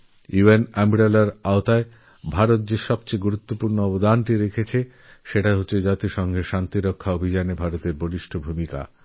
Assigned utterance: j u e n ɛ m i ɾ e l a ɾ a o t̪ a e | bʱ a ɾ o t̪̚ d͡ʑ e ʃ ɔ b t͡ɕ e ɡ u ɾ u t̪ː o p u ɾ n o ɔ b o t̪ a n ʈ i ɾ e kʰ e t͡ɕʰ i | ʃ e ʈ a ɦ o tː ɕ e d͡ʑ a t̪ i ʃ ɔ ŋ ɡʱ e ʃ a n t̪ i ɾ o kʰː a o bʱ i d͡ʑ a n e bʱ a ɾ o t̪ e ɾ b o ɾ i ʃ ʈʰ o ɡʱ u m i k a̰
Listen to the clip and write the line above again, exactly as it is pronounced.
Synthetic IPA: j u e n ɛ m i ɾ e l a ɾ a o t̪ a e | bʱ a ɾ o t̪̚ d͡ʑ e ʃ ɔ b t͡ɕ e ɡ u ɾ u t̪ː o p u ɾ n o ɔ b o d̪ a n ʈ i ɾ e kʰ e t͡ɕʰ e | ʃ e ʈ a ɦ o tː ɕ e d͡ʑ a t̪ i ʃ ɔ ŋ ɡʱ e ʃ a n t̪ i ɾ o kʰː a o bʱ i d͡ʑ a n e bʱ a ɾ o t̪ e ɾ b o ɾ i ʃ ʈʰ o bʱ u m i k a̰